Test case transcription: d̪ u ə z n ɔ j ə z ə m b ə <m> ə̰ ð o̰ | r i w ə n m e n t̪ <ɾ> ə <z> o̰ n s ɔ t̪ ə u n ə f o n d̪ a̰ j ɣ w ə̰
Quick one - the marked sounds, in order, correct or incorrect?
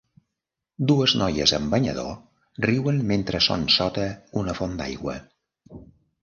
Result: incorrect, correct, incorrect

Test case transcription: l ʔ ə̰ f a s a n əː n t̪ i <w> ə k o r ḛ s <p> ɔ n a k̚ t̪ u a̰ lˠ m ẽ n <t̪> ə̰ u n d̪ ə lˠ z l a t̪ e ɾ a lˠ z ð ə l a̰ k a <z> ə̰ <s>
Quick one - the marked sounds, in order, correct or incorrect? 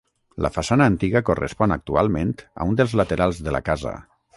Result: incorrect, correct, correct, correct, incorrect

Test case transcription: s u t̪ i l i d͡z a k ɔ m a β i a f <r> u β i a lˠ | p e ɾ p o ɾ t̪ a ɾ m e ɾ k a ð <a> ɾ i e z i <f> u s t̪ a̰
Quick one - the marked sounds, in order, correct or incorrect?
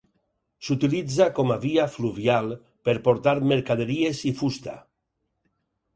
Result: incorrect, incorrect, correct

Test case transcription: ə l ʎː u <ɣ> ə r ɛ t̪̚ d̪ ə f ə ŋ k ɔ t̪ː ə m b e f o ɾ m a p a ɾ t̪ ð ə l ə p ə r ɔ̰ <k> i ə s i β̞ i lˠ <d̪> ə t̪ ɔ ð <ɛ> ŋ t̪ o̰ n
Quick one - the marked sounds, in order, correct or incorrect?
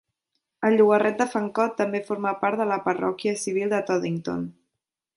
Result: correct, correct, correct, incorrect

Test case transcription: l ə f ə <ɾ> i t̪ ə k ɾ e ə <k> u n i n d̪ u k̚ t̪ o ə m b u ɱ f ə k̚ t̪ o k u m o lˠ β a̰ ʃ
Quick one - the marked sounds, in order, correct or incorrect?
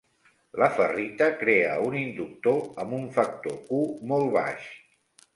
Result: incorrect, incorrect

